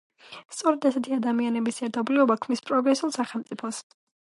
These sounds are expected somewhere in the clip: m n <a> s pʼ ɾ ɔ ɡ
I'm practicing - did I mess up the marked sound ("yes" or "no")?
yes